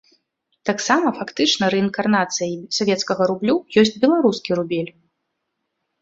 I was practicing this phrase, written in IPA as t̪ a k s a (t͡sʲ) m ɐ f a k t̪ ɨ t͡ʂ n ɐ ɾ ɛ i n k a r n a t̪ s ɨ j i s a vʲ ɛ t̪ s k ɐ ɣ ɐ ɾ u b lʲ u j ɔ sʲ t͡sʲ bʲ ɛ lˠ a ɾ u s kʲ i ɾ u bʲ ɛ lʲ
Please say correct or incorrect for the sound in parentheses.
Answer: incorrect